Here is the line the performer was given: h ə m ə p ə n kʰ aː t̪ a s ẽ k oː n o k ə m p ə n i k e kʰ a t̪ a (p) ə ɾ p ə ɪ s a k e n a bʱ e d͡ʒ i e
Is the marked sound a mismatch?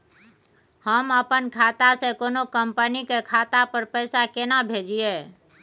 no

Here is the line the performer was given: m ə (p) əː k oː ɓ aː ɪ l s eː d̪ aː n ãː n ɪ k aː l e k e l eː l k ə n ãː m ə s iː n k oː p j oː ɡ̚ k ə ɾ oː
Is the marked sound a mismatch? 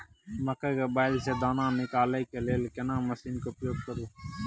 yes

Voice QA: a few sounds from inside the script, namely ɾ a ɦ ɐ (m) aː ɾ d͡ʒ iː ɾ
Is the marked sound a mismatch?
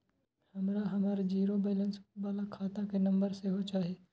no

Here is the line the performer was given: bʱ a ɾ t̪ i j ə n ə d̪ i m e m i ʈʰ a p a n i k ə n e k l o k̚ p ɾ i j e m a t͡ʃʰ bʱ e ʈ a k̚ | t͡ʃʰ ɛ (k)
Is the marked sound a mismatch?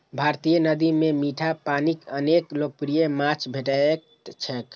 no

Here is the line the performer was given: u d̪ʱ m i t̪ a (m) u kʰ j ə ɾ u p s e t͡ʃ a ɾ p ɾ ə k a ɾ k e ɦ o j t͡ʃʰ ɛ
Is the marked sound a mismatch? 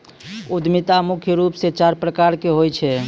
no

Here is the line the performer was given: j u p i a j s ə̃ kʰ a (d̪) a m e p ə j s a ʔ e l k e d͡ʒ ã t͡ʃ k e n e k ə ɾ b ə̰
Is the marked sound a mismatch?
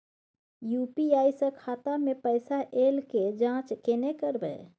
yes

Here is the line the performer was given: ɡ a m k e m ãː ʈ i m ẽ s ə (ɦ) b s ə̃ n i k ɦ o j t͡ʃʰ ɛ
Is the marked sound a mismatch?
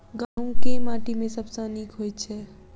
yes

